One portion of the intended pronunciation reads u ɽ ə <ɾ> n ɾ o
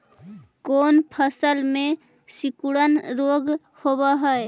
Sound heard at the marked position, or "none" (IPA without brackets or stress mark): none